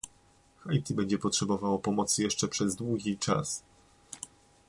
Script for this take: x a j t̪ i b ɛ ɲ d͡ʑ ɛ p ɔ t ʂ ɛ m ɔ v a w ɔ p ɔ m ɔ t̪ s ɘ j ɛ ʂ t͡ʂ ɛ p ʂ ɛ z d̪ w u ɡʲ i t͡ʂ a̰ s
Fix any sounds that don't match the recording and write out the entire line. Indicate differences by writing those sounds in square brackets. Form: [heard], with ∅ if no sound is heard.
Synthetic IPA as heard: x a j t̪ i b ɛ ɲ d͡ʑ ɛ p ɔ t ʂ ɛ [b] ɔ v a w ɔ p ɔ m ɔ t̪ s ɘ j ɛ ʂ t͡ʂ ɛ p ʂ ɛ z d̪ w u ɡʲ i t͡ʂ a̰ s